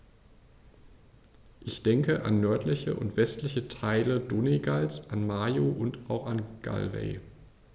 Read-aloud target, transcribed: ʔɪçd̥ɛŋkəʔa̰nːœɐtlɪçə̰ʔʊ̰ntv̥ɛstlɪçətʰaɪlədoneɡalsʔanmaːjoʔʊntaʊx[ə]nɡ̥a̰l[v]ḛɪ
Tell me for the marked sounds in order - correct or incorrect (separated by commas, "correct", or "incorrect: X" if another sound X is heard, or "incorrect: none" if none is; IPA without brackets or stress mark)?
incorrect: a, correct